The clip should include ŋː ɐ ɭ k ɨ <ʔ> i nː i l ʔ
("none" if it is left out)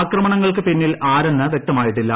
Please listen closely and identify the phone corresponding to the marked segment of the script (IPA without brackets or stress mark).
p